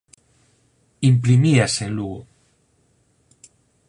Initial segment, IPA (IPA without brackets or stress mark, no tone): i